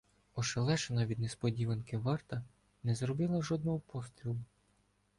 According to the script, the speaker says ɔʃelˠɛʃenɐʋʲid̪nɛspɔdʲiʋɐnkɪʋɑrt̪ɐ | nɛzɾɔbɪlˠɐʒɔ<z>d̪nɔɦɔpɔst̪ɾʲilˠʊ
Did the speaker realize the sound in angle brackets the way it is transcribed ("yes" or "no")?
no